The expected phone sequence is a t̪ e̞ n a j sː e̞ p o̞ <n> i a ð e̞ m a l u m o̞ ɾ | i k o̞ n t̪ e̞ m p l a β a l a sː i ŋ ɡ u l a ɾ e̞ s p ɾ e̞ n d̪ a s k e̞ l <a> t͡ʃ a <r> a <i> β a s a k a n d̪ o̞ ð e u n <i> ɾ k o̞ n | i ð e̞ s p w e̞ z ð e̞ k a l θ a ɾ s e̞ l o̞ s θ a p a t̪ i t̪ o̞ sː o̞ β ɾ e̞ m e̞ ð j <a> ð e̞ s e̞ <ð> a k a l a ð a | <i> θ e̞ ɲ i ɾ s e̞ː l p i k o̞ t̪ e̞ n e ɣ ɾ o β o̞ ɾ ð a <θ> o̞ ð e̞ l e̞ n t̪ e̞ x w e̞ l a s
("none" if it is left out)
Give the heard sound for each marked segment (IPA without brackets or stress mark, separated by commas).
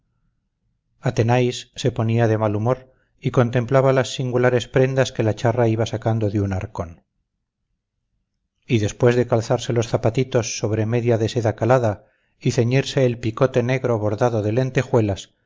n, a, r, i, a, a, ð, i, ð